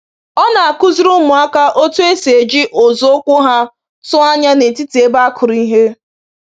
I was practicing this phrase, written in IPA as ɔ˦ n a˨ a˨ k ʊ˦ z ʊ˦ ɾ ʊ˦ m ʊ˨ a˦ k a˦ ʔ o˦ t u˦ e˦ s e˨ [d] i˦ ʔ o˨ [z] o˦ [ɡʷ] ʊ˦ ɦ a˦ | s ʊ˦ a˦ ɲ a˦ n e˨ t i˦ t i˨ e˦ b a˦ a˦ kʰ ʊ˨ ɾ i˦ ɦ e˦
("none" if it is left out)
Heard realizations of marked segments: d͡ʒ, z, kʷ

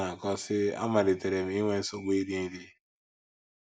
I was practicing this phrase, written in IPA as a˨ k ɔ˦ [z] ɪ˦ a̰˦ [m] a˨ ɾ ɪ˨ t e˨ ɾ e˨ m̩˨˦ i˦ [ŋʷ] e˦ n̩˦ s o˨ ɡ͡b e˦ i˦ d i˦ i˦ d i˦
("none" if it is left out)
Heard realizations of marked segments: s, m, ŋʷ

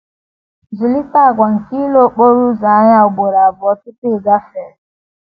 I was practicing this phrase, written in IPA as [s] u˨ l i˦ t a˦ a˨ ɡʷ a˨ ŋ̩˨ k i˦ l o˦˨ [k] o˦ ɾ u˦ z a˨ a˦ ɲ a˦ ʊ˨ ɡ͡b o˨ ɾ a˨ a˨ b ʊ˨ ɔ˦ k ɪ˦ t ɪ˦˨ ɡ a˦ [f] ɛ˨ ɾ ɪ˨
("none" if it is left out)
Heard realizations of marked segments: z, k͡p, f

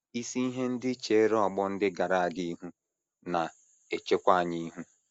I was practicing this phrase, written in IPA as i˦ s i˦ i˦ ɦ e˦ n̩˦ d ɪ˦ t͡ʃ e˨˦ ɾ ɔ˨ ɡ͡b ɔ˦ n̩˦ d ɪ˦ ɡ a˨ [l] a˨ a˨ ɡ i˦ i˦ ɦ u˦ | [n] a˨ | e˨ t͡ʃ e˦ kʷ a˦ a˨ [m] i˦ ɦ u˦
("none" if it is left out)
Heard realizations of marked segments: ɾ, n, ɲ

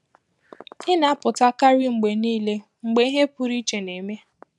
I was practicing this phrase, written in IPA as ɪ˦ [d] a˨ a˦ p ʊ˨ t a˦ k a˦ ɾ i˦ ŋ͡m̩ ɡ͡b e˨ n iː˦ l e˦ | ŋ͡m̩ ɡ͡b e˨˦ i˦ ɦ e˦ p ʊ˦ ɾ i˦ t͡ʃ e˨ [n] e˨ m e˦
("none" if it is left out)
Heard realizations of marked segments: n, n

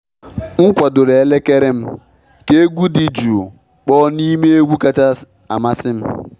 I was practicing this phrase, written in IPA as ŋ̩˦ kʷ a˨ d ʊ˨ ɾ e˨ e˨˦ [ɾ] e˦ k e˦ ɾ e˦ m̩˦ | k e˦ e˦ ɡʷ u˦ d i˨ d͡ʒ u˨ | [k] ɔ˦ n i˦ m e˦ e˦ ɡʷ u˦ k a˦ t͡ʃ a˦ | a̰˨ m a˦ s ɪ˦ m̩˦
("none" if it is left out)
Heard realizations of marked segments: l, k͡p

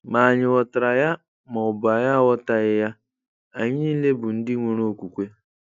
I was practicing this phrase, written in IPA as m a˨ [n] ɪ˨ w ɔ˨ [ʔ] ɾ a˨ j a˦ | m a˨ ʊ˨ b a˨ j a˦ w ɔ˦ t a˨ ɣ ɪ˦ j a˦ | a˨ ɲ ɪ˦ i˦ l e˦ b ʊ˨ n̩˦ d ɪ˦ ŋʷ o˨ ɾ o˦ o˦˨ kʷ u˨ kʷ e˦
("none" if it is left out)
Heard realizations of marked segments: ɲ, t

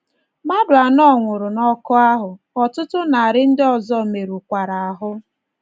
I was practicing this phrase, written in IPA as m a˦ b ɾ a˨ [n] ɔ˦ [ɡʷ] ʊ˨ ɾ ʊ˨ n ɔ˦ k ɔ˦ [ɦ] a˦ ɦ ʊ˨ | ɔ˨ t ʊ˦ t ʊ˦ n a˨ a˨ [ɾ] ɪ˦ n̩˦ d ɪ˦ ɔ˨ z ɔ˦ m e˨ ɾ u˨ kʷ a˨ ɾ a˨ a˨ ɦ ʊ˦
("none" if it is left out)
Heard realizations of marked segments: n, ŋʷ, none, ɾ

